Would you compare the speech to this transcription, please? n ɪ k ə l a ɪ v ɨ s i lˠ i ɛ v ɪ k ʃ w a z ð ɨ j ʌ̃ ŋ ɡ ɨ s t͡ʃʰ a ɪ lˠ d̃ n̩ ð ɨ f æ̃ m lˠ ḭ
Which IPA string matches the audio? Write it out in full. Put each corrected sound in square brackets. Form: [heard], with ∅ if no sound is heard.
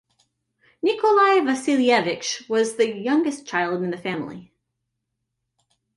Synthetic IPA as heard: n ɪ k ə l a ɪ v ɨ s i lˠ i ɛ v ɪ k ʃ w [ʌ] z ð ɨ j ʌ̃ ŋ ɡ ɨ s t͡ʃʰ a ɪ lˠ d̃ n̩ ð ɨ f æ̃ m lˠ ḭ